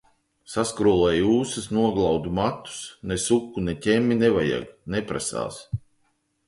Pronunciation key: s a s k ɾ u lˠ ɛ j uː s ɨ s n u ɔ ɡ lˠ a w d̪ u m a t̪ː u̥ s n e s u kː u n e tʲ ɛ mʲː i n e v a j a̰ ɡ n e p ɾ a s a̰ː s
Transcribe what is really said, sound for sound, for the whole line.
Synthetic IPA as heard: s a s k ɾ u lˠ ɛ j uː s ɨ s n u ɔ ɡ lˠ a w d̪ u m a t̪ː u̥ s n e s u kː u n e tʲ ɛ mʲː i n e v a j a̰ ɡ n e p ɾ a s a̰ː s